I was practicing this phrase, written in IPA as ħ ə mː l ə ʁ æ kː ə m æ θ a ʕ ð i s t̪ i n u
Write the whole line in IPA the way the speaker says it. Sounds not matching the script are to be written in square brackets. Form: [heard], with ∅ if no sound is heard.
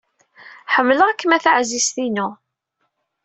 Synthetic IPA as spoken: ħ ə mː l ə ʁ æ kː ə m æ θ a ʕ [z] i s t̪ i n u